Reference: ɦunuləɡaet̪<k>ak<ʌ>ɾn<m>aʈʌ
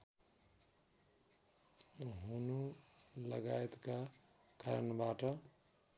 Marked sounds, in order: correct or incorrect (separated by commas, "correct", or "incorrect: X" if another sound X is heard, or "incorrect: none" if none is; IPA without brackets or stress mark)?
correct, incorrect: a, incorrect: b